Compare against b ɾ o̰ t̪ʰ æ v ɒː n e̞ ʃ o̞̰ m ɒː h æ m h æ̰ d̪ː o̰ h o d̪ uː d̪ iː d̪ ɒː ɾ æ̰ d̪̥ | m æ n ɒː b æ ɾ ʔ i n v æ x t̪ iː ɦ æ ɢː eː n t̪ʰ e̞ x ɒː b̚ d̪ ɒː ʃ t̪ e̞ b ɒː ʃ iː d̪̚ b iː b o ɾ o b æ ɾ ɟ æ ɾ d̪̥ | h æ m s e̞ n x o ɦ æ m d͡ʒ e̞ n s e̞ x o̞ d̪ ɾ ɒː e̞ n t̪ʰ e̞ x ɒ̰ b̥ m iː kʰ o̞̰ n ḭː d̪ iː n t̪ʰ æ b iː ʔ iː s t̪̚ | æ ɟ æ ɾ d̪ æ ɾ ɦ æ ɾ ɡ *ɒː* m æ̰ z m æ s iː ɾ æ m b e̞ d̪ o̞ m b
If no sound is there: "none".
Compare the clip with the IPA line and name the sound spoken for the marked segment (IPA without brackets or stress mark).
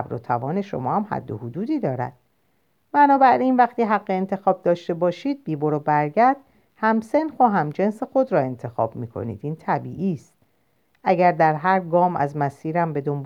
ɒː